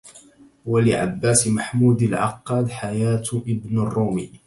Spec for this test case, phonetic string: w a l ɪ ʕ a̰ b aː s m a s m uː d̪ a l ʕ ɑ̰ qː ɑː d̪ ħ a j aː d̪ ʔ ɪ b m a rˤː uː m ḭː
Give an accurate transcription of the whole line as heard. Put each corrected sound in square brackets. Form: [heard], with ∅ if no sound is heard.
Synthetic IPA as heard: w a l ɪ ʕ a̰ [bː] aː s m a [ħ] m uː d̪ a l ʕ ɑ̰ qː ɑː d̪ ħ a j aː [t̪] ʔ ɪ b [n] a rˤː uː m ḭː